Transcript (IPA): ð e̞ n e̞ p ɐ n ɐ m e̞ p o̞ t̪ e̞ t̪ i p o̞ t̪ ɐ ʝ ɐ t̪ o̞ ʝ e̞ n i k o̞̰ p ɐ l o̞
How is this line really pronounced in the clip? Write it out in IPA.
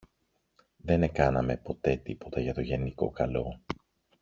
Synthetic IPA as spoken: ð e̞ n e̞ k ɐ n ɐ m e̞ p o̞ t̪ e̞ t̪ i p o̞ t̪ ɐ ʝ ɐ t̪ o̞ ʝ e̞ n i k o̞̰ k ɐ l o̞